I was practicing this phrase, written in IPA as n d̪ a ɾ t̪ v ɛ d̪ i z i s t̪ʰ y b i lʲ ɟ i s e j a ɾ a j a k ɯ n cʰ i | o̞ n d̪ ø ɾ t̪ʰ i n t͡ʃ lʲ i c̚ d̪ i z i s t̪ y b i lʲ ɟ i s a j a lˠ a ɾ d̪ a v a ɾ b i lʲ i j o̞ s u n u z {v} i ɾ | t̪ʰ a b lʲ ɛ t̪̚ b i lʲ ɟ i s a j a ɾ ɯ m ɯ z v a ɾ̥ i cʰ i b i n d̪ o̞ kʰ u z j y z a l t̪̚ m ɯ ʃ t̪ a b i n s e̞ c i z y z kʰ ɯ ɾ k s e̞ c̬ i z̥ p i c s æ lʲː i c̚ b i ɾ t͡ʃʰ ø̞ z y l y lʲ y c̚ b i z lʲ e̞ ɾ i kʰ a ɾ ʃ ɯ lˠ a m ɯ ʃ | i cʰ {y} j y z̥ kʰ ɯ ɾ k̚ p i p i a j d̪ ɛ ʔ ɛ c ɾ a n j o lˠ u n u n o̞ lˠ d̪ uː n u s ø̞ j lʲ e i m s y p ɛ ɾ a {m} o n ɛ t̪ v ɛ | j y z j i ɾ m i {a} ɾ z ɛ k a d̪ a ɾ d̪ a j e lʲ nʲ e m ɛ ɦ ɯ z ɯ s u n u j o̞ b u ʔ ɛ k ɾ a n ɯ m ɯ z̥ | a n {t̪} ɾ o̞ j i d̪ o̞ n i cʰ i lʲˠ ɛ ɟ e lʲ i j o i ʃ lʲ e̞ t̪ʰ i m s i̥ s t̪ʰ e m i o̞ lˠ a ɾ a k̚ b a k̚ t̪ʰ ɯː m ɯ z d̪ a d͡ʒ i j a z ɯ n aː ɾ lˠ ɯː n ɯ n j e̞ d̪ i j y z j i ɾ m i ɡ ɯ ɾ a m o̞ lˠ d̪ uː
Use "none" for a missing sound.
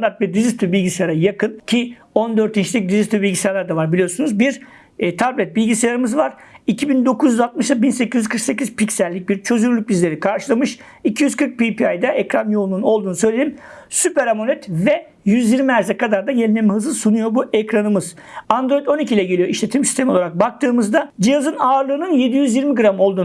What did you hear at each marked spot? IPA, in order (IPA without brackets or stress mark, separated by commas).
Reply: b, i, m, æ, d̪